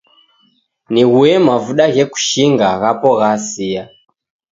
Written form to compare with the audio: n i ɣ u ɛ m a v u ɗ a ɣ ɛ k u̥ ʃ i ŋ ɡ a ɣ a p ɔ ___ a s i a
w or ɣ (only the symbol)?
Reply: ɣ